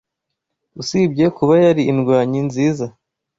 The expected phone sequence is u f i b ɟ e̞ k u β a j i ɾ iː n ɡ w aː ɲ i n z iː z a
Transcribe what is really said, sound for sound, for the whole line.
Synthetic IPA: u s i b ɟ e̞ k u β a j a ɾ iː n ɡ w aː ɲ i n z iː z a